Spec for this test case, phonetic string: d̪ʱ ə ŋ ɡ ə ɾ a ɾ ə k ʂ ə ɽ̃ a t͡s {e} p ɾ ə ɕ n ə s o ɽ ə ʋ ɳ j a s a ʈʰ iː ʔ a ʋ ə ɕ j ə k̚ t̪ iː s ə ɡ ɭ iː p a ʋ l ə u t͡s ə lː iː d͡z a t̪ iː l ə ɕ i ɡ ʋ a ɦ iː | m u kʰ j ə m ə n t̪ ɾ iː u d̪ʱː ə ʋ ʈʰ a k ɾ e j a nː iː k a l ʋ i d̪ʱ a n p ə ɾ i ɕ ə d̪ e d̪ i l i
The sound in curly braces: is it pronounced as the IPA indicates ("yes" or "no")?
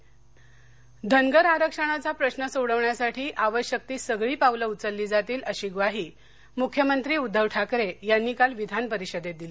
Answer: no